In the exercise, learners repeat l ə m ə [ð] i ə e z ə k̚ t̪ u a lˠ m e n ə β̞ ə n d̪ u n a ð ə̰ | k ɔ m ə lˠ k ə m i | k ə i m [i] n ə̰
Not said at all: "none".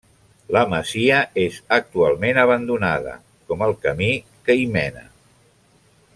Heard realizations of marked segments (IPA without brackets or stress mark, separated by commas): z, ɛ